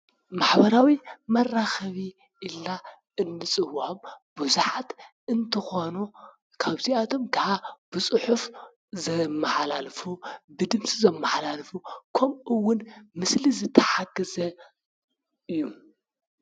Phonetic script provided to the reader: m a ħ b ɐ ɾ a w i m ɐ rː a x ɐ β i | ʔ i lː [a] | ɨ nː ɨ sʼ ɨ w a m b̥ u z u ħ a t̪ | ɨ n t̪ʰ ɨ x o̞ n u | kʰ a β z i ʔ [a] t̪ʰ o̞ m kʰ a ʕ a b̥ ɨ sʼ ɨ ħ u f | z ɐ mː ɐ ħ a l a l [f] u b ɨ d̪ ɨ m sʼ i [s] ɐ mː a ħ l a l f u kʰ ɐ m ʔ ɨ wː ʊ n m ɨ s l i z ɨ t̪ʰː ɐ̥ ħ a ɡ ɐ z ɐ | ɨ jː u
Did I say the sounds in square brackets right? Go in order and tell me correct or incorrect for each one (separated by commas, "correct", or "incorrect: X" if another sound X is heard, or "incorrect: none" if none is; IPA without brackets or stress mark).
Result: correct, correct, correct, incorrect: z